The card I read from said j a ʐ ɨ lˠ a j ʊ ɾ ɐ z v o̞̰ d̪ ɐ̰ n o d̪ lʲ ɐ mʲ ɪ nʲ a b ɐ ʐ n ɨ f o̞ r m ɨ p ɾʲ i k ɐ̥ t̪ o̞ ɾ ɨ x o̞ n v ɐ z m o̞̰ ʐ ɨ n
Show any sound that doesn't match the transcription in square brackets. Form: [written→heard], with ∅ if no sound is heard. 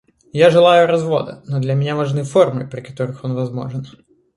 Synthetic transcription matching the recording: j a ʐ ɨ lˠ a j ʊ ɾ ɐ z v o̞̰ d̪ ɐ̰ n o d̪ lʲ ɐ mʲ ɪ nʲ a [b→v] ɐ ʐ n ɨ f o̞ r m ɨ p ɾʲ [i→ɪ] k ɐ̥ t̪ o̞ ɾ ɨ x o̞ n v ɐ z m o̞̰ ʐ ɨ n